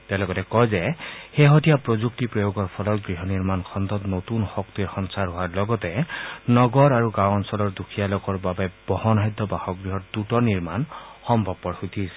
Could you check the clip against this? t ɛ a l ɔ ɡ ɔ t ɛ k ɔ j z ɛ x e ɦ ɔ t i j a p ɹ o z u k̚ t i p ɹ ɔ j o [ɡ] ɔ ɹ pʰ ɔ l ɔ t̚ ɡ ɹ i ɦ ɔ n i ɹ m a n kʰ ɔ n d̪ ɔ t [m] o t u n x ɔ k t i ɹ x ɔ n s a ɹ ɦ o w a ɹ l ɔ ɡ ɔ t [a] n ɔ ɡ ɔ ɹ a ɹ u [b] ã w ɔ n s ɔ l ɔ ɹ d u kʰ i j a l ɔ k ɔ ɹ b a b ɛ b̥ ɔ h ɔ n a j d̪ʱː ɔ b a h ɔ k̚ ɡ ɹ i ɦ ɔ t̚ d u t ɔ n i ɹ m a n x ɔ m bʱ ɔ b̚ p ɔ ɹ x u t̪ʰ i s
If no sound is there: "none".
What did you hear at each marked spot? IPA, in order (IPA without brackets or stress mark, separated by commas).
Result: ɡ, n, ɛ, ɡ